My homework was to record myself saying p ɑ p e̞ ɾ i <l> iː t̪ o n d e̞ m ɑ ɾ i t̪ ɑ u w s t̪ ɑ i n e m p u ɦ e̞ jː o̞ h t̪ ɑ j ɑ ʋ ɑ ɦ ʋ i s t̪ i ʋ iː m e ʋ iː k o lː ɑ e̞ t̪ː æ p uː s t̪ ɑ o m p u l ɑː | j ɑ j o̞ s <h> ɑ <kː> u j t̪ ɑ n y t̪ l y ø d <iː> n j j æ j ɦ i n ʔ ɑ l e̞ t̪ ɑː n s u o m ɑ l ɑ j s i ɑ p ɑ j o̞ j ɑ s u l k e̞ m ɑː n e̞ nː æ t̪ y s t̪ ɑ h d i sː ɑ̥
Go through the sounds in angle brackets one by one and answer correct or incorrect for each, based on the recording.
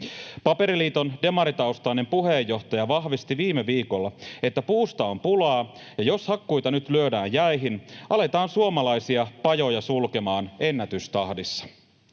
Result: correct, correct, correct, incorrect: æː

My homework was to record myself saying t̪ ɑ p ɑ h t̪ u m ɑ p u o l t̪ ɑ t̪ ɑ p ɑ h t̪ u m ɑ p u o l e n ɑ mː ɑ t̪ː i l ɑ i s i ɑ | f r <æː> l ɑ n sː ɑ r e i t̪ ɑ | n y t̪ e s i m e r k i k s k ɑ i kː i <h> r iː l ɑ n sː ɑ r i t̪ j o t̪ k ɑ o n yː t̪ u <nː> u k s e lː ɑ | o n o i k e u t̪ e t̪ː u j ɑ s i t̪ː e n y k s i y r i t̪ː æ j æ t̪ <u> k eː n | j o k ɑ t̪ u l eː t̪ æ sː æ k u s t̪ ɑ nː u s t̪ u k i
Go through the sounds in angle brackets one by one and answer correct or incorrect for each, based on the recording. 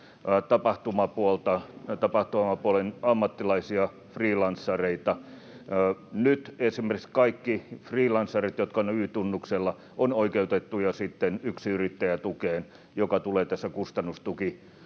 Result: incorrect: iː, incorrect: f, correct, correct

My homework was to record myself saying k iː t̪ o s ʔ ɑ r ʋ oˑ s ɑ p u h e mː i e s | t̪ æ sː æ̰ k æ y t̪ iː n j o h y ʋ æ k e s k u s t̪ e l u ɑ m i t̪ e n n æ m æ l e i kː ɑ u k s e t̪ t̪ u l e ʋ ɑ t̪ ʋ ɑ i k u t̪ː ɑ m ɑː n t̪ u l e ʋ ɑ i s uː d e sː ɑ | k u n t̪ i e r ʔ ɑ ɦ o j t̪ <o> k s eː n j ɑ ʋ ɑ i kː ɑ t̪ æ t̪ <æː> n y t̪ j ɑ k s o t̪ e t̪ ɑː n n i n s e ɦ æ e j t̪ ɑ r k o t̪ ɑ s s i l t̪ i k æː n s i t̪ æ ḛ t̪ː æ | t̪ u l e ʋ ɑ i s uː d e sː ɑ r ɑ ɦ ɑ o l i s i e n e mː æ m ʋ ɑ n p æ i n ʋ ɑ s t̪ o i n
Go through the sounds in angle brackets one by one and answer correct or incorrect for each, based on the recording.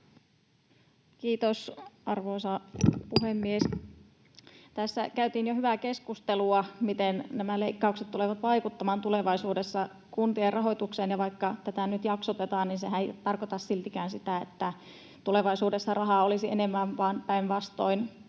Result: incorrect: u, incorrect: æ

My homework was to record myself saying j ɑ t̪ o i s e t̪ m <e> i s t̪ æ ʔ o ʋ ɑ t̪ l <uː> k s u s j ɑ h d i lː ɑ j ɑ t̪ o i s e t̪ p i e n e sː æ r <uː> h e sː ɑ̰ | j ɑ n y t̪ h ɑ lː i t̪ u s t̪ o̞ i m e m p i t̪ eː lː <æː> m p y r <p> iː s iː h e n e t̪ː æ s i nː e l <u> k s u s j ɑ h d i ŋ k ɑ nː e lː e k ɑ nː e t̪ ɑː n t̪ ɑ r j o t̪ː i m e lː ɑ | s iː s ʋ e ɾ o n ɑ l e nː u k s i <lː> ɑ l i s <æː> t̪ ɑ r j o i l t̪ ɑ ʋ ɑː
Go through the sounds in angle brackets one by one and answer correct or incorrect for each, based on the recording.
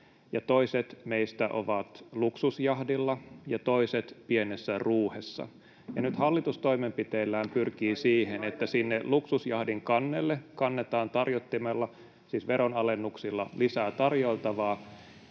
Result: correct, incorrect: u, correct, correct, incorrect: k, correct, correct, correct

